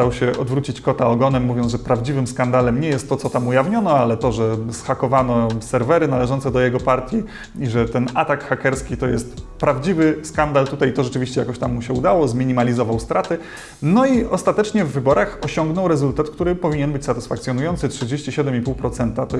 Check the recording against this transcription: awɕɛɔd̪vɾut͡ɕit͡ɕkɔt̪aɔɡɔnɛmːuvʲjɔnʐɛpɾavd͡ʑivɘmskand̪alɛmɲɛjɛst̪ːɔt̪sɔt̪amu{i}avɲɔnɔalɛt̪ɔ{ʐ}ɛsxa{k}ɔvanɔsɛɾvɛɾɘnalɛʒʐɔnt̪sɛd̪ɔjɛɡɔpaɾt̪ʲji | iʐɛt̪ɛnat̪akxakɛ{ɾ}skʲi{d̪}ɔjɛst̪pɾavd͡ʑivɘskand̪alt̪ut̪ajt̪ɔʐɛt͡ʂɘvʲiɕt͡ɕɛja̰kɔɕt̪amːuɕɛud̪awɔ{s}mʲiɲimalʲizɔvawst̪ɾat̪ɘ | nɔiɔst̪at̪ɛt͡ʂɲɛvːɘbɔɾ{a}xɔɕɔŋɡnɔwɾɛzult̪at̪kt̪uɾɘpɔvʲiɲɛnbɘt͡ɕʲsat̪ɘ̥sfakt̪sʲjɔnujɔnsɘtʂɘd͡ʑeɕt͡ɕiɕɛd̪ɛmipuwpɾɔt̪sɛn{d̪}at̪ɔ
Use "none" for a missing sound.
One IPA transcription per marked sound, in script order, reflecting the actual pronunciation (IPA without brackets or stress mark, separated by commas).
j, ʐ, k, ɾ, t̪, z, a, t̪